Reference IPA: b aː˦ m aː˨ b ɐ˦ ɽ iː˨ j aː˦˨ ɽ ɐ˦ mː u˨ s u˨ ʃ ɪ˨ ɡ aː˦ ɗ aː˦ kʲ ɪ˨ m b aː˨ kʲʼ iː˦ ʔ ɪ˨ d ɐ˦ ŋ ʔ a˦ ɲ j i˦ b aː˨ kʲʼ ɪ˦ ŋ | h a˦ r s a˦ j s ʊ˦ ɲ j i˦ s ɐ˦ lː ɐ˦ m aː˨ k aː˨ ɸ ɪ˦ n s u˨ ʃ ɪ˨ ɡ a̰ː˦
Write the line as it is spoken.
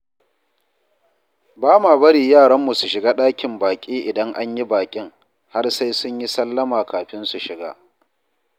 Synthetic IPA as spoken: b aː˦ m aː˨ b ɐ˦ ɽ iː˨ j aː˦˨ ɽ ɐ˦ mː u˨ s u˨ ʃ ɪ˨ ɡ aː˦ ɗ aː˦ kʲ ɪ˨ m b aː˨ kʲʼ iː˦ ʔ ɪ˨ d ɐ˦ ŋ ʔ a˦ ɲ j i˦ b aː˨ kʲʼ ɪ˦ ŋ | h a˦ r s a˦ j s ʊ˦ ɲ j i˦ s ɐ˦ lː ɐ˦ m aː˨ k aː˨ ɸ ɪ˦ n s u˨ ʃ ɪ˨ ɡ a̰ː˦